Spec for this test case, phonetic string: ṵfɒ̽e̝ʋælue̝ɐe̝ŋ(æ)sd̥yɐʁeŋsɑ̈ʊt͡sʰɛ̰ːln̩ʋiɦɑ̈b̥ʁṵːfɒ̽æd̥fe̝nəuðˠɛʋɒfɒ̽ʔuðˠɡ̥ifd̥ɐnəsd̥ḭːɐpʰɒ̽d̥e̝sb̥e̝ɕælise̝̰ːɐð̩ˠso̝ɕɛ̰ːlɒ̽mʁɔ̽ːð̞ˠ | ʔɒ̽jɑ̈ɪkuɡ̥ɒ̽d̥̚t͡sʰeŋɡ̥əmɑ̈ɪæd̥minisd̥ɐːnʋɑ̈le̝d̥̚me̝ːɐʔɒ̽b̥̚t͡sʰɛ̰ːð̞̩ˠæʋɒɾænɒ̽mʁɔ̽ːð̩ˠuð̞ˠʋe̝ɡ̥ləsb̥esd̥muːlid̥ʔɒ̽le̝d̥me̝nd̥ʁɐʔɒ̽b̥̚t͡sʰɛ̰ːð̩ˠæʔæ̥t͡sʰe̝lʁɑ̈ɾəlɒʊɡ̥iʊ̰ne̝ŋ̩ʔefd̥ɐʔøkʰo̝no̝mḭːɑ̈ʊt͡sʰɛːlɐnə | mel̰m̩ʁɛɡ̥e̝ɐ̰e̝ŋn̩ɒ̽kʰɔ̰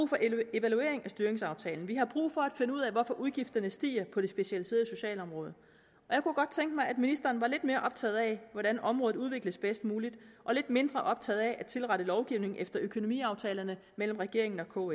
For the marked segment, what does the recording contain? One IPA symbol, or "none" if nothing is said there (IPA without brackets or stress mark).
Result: æ